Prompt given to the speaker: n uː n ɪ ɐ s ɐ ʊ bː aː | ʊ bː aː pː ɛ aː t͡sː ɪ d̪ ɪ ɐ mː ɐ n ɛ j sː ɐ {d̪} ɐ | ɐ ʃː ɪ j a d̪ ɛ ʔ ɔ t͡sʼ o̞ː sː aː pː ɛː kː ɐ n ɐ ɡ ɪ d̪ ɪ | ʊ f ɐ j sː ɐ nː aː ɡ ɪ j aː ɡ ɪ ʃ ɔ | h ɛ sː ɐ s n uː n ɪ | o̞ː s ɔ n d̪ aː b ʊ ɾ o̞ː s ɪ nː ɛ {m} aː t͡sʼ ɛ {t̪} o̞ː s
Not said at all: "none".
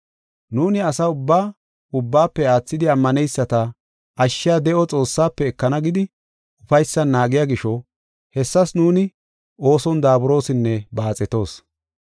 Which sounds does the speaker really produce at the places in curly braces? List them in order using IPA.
t̪, b, t̪

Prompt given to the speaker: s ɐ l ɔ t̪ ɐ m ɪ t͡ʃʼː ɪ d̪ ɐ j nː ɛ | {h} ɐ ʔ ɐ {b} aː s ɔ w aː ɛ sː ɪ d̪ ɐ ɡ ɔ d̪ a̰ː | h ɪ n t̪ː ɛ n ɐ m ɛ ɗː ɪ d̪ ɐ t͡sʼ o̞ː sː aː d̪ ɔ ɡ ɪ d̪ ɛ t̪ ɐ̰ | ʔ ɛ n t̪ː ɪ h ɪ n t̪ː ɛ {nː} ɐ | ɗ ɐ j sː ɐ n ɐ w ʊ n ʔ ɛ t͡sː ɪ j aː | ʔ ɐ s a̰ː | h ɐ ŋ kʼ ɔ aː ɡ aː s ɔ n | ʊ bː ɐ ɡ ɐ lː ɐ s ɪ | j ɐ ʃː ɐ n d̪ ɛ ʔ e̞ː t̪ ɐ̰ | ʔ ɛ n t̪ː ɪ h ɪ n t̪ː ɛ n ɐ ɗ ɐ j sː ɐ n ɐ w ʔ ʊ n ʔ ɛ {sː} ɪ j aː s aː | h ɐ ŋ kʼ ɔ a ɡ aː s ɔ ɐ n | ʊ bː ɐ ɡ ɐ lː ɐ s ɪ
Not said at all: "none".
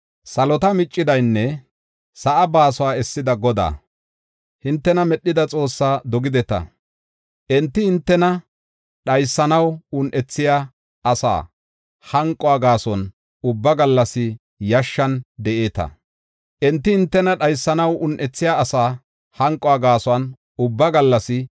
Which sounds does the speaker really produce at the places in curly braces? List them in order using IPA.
s, b, n, t͡sː

